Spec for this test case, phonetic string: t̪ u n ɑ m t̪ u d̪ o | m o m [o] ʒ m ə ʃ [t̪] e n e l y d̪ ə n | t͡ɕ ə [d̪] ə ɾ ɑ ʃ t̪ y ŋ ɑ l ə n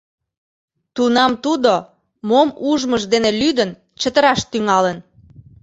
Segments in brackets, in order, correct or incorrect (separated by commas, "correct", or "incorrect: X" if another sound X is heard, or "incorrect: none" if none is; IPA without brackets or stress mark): incorrect: u, incorrect: d̪, incorrect: t̪